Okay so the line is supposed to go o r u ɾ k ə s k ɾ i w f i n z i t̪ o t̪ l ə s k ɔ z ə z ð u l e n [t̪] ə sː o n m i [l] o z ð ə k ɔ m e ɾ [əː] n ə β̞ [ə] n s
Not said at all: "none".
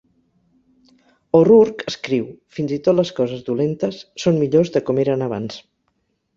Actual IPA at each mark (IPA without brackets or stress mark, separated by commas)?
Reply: t̪, ʎ, ə, a